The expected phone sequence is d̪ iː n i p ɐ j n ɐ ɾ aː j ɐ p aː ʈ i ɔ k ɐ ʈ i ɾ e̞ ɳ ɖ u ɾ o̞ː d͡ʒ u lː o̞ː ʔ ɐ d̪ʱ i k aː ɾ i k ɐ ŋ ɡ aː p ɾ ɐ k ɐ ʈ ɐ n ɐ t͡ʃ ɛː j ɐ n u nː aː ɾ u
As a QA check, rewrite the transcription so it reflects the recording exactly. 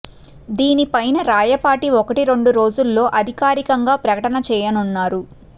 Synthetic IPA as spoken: d̪ iː n i p ɐ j n ɐ ɾ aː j ɐ p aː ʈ i ɔ k ɐ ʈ i ɾ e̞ ɳ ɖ u ɾ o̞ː d͡ʒ u lː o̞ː ʔ ɐ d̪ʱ i k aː ɾ i k ɐ ŋ ɡ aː p ɾ ɐ k ɐ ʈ ɐ n ɐ t͡ʃ ɛː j ɐ n u nː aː ɾ u